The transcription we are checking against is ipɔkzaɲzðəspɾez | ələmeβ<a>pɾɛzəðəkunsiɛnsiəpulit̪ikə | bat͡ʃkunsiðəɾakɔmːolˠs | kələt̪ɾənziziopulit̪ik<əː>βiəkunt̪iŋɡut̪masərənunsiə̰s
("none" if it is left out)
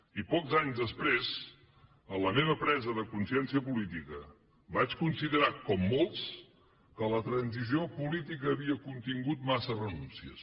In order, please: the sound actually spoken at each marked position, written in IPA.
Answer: ə, əː

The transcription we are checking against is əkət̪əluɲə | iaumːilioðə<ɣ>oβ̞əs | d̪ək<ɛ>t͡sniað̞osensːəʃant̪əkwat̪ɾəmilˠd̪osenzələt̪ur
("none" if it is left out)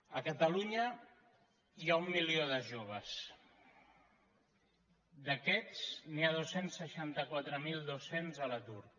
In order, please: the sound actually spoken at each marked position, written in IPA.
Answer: ʒ, ɛ

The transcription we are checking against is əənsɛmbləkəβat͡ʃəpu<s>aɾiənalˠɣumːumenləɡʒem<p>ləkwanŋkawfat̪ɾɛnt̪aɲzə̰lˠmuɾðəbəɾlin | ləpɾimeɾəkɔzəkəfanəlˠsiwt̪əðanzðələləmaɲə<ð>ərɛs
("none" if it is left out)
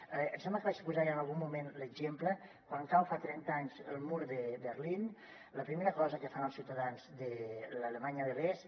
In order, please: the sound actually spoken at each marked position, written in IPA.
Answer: z, p, ð

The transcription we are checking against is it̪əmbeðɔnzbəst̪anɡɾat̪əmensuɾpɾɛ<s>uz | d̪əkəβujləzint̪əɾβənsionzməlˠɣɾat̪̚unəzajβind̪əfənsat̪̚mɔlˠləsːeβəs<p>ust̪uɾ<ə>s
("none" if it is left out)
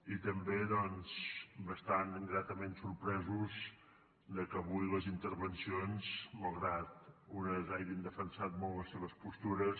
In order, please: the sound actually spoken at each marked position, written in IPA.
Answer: z, p, ə

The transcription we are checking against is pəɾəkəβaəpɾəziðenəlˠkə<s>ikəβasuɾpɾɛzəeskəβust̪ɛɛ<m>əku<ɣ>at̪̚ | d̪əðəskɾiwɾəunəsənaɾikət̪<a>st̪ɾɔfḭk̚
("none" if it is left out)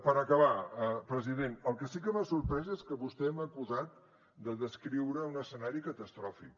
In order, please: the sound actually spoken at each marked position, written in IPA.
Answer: s, m, z, ə

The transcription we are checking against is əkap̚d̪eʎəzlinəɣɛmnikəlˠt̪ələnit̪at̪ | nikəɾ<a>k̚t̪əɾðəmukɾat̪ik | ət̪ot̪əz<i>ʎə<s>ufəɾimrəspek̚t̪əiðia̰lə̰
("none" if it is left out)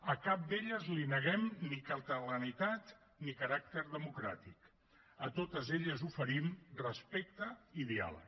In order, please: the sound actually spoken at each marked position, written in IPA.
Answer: a, e, z

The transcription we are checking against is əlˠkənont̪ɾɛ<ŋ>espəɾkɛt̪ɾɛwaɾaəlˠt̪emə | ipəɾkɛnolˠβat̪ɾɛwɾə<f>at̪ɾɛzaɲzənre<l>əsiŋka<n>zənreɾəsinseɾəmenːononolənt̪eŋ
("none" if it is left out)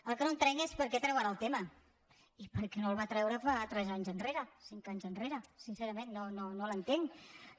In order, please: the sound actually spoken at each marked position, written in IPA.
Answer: ŋ, f, ɾ, ɲ

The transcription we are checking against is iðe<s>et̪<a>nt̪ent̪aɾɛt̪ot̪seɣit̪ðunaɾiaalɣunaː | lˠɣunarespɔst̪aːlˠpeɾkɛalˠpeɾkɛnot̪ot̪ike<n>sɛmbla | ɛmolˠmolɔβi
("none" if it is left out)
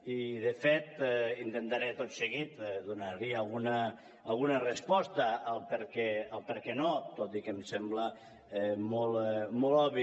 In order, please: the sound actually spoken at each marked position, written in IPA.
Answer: f, i, m

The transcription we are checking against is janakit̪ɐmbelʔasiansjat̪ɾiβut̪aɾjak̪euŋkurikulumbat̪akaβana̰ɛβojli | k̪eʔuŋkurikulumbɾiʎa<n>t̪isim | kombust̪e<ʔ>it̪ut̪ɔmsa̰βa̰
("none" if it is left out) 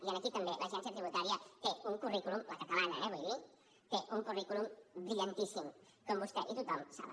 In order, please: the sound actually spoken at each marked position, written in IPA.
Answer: n, ʔ

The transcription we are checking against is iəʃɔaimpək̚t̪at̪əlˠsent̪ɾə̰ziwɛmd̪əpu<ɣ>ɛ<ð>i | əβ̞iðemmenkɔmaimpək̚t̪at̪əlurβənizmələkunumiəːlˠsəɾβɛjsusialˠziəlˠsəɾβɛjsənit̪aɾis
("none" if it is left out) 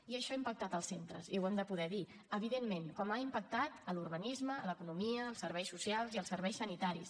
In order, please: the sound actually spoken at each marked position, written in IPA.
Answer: ð, ð

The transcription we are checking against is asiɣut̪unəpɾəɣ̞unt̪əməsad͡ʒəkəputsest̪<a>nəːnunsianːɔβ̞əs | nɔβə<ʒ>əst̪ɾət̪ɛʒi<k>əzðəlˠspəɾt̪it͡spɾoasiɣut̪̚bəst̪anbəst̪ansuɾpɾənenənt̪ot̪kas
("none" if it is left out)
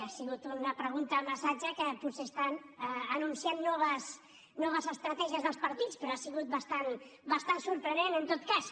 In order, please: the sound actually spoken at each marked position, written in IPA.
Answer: a, z, none

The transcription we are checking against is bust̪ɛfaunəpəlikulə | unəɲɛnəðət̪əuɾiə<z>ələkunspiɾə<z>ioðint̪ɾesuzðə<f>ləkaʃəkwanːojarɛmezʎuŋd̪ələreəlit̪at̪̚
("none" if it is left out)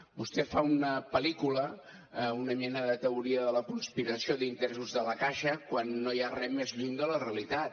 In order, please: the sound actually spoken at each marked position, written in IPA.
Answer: ð, s, none

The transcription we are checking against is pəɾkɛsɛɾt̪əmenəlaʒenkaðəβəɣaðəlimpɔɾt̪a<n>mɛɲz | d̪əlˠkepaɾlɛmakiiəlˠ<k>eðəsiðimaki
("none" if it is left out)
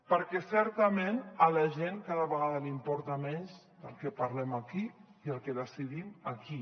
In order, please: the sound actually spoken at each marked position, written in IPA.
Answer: none, k

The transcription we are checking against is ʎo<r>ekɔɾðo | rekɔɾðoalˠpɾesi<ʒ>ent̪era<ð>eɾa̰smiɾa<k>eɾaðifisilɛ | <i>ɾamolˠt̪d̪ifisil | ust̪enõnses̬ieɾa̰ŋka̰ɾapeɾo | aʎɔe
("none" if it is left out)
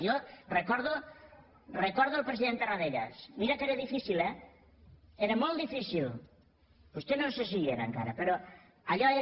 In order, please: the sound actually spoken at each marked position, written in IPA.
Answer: r, ð, ð, k, e

